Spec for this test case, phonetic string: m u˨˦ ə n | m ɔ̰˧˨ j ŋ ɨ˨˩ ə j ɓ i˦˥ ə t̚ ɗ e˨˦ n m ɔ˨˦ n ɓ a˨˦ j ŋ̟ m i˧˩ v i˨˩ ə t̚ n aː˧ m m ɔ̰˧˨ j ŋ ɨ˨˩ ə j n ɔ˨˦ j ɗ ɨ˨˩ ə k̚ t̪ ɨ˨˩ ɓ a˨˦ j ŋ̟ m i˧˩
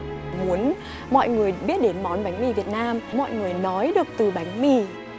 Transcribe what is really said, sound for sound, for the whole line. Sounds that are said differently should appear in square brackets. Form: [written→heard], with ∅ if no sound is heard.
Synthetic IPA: m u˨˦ ə n | m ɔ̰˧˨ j ŋ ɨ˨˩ ə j ɓ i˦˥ ə t̚ ɗ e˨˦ n m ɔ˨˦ n ɓ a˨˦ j ŋ̟ m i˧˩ v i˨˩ ə t̚ n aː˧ m m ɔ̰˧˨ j ŋ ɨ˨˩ ə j n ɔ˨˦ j ɗ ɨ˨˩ ə k̚ t̪ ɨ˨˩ ɓ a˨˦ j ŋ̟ m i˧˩

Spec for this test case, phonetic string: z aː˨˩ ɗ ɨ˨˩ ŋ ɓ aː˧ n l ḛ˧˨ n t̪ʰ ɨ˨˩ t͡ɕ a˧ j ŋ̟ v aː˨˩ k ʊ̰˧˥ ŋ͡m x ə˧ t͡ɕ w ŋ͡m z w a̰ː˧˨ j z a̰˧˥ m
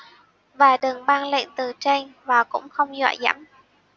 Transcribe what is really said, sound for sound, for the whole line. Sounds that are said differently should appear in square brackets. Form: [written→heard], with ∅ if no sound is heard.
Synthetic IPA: [z→v] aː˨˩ ɗ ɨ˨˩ ŋ ɓ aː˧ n l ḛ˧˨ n [t̪ʰ→t̪] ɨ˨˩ t͡ɕ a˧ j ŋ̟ v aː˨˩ k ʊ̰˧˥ ŋ͡m x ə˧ [t͡ɕ→∅] w ŋ͡m z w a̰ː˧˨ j z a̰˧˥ m

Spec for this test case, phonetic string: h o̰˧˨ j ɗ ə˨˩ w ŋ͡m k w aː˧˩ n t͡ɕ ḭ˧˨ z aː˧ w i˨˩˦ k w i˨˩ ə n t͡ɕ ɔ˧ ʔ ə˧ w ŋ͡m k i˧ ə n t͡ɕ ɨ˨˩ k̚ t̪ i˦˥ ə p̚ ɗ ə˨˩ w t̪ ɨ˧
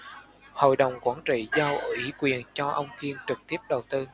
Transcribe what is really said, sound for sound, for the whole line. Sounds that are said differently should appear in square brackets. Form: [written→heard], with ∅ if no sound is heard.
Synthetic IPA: h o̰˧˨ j ɗ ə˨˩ w ŋ͡m k w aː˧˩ n t͡ɕ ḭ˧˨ z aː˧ w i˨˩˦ k w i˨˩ ə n t͡ɕ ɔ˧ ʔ ə˧ w ŋ͡m k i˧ ə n t͡ɕ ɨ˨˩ k̚ t̪ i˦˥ ə p̚ ɗ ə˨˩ w t̪ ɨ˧

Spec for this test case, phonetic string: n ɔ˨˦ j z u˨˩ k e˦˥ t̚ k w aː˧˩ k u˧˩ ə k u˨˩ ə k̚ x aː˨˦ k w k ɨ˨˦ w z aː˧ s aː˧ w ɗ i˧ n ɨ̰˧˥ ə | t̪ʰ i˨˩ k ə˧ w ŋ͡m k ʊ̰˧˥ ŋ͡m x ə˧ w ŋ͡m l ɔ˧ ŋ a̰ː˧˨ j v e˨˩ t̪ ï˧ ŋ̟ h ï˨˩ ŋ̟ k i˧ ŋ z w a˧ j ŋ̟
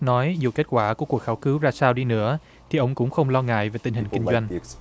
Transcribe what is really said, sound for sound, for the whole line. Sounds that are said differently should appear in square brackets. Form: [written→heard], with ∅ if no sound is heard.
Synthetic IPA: n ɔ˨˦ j z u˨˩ k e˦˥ t̚ k w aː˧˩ k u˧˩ ə k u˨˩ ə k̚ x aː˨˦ [k→∅] w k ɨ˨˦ w z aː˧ s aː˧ w ɗ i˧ n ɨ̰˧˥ ə | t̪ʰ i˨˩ [k→ʔ] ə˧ w ŋ͡m k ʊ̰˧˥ ŋ͡m x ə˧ w ŋ͡m l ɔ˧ ŋ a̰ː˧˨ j v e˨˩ t̪ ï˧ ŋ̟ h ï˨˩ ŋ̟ k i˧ ŋ z w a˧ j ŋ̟

